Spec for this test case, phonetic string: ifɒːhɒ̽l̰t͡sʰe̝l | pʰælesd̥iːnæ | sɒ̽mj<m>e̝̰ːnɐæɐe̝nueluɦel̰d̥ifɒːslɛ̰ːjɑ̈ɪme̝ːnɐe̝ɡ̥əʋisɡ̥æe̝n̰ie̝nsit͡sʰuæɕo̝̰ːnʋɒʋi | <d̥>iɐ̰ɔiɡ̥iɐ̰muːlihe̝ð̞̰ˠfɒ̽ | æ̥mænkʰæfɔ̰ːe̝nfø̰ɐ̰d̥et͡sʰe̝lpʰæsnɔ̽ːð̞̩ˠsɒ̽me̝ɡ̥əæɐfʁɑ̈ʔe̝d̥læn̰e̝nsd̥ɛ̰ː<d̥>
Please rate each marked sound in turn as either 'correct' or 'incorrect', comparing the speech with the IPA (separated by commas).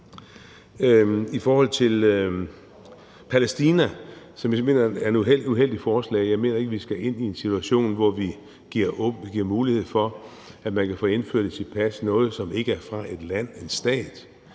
correct, incorrect, correct